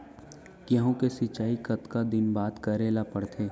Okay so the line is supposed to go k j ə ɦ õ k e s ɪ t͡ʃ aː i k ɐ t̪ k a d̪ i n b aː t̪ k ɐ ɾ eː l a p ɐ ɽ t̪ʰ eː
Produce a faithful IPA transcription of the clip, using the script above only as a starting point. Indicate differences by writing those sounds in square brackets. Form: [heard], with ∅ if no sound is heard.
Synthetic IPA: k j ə ɦ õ k e s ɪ t͡ʃ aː i k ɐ t̪ k a d̪ [ɪ] n b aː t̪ k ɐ ɾ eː l a p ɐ ɽ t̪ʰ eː